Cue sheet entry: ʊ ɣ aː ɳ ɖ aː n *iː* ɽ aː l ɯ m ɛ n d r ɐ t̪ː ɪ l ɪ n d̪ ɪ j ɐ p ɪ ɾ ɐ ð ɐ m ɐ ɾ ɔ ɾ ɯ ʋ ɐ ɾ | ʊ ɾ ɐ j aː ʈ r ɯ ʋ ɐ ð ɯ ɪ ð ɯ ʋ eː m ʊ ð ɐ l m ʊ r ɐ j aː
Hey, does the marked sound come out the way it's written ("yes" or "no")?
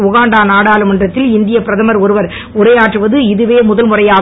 no